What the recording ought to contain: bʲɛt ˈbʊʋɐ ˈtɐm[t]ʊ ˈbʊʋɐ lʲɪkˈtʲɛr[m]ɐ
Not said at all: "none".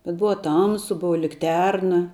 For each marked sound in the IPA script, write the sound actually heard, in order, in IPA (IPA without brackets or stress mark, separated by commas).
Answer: s, n